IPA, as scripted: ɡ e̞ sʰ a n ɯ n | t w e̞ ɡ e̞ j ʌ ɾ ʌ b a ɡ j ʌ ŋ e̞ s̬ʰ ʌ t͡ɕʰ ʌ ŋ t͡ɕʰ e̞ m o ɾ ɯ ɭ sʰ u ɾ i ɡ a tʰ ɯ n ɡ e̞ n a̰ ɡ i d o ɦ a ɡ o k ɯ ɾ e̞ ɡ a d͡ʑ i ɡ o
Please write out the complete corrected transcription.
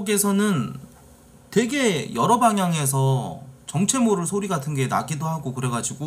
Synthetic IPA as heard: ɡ e̞ sʰ ʌ n ɯ n | t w e̞ ɡ e̞ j ʌ ɾ ʌ b a ŋ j a ŋ e̞ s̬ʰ ʌ t͡ɕ ʌ ŋ t͡ɕʰ e̞ m o ɾ ɯ ɭ sʰ o ɾ i ɡ a tʰ ɯ n ɡ e̞ n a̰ ɡ i d o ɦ a ɡ o k ɯ ɾ e̞ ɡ a d͡ʑ i ɡ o